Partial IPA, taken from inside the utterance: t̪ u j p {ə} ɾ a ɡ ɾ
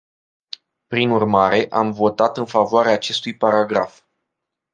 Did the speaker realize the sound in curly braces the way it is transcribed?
no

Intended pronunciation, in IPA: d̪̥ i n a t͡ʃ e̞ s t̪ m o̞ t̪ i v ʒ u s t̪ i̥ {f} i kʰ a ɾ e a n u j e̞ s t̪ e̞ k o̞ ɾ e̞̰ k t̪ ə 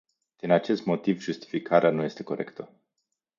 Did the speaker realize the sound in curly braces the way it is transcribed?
yes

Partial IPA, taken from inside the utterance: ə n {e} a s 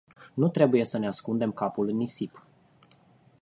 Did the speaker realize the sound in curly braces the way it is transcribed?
yes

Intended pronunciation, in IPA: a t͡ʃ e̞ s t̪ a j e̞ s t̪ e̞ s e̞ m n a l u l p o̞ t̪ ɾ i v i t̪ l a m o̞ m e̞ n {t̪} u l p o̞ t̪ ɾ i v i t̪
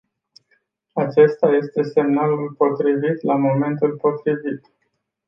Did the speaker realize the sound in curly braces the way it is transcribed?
yes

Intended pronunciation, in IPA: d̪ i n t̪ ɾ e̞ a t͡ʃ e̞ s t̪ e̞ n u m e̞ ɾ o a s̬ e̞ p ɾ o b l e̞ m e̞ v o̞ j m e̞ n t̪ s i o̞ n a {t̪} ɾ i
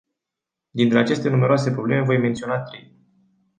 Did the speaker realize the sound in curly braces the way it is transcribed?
yes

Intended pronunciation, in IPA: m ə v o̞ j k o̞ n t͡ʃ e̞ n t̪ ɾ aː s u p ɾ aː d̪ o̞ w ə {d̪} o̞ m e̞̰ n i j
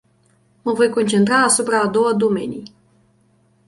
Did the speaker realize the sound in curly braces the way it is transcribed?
yes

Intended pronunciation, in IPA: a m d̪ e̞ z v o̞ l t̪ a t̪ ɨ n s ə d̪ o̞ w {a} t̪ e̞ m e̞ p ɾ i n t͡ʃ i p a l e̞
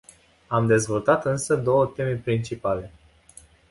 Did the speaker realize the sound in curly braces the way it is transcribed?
no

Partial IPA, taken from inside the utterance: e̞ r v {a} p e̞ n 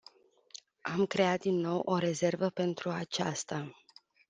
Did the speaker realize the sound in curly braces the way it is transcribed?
no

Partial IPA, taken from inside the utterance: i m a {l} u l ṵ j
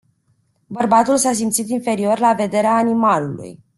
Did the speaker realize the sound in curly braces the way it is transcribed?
yes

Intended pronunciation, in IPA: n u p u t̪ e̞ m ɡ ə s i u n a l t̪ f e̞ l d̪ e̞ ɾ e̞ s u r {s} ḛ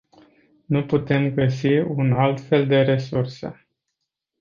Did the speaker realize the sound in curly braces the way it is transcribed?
yes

